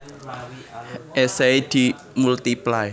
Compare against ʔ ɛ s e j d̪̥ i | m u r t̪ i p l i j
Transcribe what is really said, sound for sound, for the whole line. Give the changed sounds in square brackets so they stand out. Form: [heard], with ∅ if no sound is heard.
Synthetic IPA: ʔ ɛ s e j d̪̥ i | m u [l] t̪ i p l [a] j

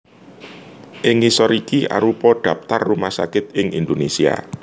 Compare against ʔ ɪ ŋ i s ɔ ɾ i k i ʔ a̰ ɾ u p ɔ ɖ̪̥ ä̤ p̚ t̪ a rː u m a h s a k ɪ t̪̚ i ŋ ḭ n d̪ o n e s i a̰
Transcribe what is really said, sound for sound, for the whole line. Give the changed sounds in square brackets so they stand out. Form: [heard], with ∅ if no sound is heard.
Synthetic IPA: ʔ ɪ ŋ i s ɔ ɾ i k i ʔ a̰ ɾ u p ɔ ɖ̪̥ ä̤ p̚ t̪ a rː u m a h s a k ɪ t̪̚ [ɪ] ŋ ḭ n d̪ o n e s i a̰

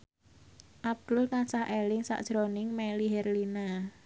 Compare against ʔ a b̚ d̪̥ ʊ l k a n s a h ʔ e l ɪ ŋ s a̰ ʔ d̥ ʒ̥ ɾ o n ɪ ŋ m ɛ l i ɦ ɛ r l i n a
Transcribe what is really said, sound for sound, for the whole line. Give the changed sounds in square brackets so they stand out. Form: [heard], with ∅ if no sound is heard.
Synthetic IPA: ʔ a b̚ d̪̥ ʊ l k a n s a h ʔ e l ɪ ŋ s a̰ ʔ d̥ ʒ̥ ɾ o n ɪ ŋ m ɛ l i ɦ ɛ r l i n a

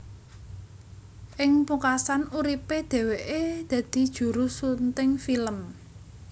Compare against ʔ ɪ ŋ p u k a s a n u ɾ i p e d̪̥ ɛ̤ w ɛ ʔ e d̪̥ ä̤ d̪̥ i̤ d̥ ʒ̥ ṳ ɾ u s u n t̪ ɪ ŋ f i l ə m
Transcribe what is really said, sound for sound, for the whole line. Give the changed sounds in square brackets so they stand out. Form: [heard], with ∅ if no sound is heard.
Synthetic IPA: ʔ ɪ ŋ p u k a s a n u ɾ i p e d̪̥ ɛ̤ w [e] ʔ e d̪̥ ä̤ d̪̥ i̤ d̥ ʒ̥ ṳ ɾ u s u n t̪ ɪ ŋ f i l ə m

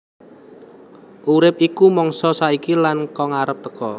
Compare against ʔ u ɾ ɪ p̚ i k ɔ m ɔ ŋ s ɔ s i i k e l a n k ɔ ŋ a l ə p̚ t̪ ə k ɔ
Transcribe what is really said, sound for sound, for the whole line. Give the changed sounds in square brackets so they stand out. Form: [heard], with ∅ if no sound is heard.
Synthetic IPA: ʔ u ɾ ɪ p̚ i k [u] m ɔ ŋ s ɔ s [a] i k [i] l a n k ɔ ŋ a [ɾ] ə p̚ t̪ ə k ɔ

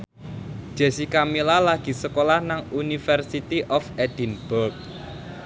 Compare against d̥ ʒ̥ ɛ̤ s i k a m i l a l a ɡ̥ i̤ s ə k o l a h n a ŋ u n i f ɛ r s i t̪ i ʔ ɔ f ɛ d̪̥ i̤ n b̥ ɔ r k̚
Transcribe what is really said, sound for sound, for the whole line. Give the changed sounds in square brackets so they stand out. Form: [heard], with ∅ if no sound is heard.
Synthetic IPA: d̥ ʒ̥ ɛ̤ s i k a m i l a l a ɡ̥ i̤ s ə k o l a h n a ŋ u n i f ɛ r s i t̪ i ʔ ɔ f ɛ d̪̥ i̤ n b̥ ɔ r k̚

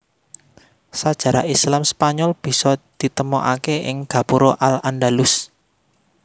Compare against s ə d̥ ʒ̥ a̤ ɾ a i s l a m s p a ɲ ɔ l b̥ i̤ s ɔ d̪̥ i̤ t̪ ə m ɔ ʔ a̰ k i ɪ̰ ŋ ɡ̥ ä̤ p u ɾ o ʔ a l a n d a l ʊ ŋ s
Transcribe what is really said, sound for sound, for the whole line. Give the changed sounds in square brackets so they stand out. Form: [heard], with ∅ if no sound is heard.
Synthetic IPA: s [a] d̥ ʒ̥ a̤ ɾ a i s l a m s p a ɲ ɔ l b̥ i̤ s ɔ d̪̥ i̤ t̪ ə m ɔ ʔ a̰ k [e] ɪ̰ ŋ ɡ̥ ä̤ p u ɾ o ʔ a l a n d a l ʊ [∅] s

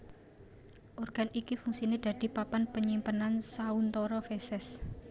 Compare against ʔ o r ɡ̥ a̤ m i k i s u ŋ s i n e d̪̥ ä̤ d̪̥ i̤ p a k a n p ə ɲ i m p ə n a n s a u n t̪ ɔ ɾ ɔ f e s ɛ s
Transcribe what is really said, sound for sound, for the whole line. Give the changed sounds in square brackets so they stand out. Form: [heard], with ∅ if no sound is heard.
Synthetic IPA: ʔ o r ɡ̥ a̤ [n] i k i [f] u ŋ s i n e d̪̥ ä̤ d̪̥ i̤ p a [p] a n p ə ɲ i m p ə n a n s a u n t̪ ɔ ɾ ɔ f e s ɛ s

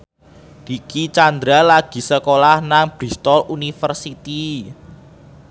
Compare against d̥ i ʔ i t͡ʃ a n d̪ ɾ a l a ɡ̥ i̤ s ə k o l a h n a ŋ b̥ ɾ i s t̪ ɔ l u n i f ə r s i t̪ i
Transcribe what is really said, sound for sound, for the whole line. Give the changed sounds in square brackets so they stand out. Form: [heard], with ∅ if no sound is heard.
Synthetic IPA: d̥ i [k] i t͡ʃ a n d̪ ɾ a l a ɡ̥ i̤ s ə k o l a h n a ŋ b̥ ɾ i s t̪ ɔ l u n i f ə r s i t̪ i

